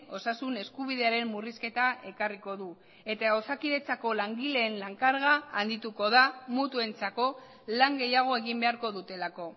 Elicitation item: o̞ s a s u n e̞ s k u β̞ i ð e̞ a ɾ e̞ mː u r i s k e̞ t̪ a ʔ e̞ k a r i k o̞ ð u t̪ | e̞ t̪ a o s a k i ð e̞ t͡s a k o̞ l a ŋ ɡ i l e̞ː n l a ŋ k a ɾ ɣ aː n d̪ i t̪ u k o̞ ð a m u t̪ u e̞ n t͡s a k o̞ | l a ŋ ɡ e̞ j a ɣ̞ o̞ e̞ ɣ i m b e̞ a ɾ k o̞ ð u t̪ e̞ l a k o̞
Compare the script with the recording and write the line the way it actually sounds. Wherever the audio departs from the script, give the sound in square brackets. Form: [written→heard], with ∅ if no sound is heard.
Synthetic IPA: o̞ s a s u n e̞ s k u β̞ i ð e̞ a ɾ e̞ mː u r i s k e̞ t̪ a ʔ e̞ k a r i k o̞ ð u [t̪→∅] | e̞ t̪ a o s a k i ð e̞ t͡s a k o̞ l a ŋ ɡ i l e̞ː n l a ŋ k a ɾ ɣ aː n d̪ i t̪ u k o̞ ð a m u t̪ u e̞ n t͡s a k o̞ | l a ŋ ɡ e̞ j a ɣ̞ o̞ e̞ ɣ i m b e̞ a ɾ k o̞ ð u t̪ e̞ l a k o̞